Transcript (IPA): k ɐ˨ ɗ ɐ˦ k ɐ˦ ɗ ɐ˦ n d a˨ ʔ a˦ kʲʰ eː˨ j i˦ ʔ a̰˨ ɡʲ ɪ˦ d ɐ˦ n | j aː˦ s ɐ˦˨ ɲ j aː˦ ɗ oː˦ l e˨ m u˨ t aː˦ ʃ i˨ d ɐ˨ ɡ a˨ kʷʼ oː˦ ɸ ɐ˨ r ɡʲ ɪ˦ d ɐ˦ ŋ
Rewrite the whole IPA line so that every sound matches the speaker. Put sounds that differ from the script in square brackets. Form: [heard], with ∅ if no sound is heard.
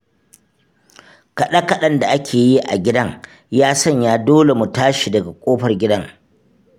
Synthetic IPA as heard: k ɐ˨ ɗ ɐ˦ k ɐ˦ ɗ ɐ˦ n d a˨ ʔ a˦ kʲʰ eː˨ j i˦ ʔ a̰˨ ɡʲ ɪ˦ d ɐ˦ [ŋ] | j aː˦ s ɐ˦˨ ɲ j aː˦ [d] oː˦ l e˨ m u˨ t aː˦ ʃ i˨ d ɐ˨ ɡ a˨ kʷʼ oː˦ ɸ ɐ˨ r ɡʲ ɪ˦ d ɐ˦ ŋ